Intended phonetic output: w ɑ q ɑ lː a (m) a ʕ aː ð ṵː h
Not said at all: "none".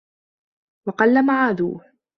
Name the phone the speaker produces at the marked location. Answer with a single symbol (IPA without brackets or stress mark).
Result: m